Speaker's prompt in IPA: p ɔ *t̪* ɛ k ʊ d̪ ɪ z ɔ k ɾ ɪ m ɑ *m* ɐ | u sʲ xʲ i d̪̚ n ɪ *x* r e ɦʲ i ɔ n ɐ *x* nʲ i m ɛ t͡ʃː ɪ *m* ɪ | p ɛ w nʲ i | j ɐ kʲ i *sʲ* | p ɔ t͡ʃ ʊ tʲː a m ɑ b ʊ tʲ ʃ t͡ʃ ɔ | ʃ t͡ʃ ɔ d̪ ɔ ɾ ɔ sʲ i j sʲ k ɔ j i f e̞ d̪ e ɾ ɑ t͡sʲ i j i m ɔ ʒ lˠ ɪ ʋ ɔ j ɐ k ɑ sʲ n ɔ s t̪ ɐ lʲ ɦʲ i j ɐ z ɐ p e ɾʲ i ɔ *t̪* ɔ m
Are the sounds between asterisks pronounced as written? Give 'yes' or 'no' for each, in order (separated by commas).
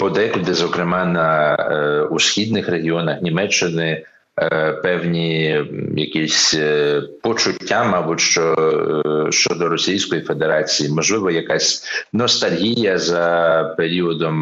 no, no, yes, yes, no, yes, no